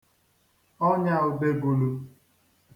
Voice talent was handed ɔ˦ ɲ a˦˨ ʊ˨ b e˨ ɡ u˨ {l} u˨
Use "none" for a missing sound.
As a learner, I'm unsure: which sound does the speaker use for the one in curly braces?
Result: l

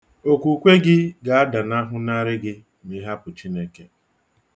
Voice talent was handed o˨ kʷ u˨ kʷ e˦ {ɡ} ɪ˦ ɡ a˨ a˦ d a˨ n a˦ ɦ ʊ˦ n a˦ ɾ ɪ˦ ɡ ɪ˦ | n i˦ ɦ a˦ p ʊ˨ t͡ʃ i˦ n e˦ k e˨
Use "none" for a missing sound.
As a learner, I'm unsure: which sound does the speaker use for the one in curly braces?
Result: ɡ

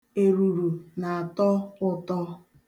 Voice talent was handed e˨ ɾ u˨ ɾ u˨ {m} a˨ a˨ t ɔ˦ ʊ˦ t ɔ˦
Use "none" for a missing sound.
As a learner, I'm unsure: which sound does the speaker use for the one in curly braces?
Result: n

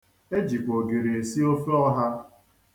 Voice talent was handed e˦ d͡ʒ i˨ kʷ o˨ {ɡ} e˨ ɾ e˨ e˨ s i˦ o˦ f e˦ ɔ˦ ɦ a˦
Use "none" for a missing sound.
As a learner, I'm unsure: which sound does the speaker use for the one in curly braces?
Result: ɡ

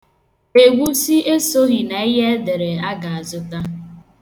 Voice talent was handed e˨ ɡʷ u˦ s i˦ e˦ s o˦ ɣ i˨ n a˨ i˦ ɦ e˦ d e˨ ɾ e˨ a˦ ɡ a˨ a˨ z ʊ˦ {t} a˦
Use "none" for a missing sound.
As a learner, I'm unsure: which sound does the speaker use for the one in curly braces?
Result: t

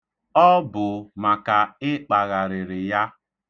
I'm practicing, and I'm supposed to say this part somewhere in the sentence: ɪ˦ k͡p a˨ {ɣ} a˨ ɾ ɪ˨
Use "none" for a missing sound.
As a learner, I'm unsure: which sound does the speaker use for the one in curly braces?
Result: ɣ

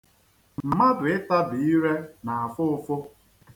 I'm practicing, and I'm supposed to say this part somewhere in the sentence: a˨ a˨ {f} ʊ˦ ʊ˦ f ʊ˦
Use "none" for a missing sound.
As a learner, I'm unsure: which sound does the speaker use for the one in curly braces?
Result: f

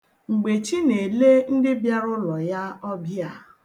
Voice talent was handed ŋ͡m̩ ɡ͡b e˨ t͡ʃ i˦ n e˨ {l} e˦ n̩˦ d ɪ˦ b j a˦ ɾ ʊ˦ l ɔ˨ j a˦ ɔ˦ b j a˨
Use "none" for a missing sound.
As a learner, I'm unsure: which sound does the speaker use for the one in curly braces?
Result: l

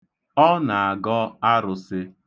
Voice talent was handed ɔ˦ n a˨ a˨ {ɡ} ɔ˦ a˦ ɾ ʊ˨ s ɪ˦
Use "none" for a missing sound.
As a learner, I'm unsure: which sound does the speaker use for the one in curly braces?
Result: ɡ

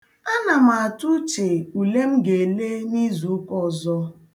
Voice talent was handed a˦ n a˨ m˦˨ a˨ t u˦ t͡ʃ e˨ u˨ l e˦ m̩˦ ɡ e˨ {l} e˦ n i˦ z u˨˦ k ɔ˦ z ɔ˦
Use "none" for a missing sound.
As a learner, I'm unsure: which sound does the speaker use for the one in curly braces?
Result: l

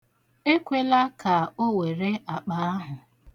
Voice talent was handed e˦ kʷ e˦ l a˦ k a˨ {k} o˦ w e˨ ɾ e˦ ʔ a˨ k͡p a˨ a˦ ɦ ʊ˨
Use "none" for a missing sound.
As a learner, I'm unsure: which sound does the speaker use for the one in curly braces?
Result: none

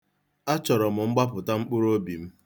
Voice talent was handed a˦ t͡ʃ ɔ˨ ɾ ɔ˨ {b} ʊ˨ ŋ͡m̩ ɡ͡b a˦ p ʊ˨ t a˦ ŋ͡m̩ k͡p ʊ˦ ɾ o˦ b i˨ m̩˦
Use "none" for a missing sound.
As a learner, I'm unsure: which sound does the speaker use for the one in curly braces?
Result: m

